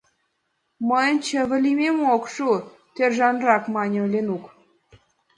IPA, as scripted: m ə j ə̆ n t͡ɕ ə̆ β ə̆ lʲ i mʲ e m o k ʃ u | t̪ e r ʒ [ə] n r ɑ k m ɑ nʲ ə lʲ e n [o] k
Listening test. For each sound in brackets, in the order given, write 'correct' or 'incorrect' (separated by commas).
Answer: incorrect, incorrect